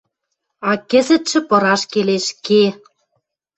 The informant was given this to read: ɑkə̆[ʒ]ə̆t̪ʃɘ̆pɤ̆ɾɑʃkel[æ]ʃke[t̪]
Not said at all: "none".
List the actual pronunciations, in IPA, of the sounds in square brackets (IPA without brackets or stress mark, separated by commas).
z, e, none